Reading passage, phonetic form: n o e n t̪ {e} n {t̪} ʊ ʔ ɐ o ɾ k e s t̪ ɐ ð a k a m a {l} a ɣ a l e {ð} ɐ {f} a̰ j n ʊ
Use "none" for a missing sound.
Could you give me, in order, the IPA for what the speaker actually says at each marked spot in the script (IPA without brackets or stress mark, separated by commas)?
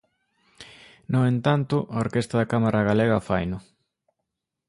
a, t̪, ɾ, ɣ, f